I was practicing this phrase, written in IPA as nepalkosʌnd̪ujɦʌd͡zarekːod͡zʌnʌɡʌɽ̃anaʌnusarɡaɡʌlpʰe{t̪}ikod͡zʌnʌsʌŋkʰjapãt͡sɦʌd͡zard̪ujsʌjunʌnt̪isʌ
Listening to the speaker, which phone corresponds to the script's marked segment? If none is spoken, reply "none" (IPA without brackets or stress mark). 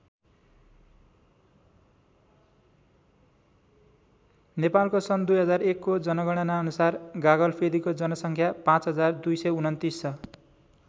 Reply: d̪